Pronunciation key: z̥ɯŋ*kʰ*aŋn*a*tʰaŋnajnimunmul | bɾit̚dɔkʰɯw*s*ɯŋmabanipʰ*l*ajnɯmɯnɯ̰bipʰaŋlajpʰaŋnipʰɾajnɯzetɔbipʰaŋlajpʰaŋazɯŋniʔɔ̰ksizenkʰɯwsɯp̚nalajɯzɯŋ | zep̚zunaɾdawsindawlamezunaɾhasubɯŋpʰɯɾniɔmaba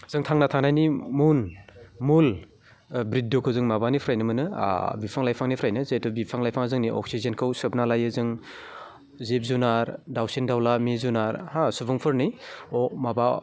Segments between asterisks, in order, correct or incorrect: incorrect, correct, incorrect, incorrect

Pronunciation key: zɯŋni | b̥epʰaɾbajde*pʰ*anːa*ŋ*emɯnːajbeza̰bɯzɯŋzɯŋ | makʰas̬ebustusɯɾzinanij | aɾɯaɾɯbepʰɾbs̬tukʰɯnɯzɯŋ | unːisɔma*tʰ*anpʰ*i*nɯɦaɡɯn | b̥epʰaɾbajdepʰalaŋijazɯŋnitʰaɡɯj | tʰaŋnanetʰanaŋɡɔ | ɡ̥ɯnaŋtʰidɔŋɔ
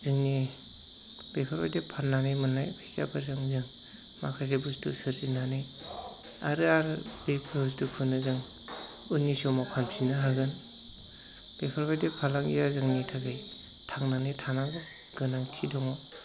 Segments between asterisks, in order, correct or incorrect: correct, incorrect, incorrect, correct

